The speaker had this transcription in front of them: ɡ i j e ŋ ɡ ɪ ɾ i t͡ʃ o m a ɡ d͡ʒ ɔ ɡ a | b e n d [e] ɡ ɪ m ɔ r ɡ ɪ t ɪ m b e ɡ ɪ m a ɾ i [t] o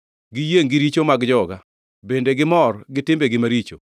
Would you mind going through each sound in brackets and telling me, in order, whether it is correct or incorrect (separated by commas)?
correct, incorrect